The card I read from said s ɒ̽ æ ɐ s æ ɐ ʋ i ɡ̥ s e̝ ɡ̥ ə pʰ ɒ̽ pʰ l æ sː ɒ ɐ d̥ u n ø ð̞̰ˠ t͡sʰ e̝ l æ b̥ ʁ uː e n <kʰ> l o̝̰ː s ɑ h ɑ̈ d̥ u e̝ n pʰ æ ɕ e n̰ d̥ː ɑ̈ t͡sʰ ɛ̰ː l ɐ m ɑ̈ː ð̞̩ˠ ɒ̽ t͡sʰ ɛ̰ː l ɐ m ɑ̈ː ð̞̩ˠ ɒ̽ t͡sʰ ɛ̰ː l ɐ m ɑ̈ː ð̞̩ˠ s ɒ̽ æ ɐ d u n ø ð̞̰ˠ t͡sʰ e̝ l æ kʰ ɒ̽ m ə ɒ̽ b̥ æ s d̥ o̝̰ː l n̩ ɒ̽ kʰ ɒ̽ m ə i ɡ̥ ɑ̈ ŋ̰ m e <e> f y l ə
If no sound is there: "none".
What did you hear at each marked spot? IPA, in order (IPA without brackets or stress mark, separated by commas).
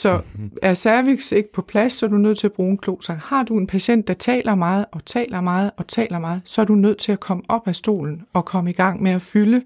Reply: kʰ, æ